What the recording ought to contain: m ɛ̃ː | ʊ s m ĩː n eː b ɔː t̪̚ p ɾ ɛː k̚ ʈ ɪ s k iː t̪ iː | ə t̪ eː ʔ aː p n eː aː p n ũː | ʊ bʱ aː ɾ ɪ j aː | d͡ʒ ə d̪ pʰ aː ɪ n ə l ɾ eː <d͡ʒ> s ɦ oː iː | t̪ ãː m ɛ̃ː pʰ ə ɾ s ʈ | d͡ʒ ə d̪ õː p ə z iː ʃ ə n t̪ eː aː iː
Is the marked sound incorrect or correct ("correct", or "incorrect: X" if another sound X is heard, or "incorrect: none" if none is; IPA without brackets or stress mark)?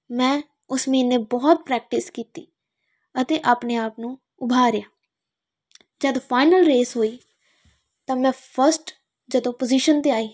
incorrect: none